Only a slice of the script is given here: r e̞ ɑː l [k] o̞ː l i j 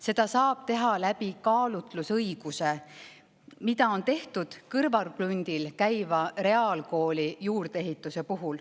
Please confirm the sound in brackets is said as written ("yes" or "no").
yes